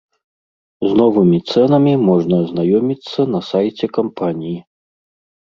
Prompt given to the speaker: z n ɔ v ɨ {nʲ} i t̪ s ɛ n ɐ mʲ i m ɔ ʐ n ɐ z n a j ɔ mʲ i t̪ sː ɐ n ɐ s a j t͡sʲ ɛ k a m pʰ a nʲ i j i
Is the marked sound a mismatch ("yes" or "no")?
yes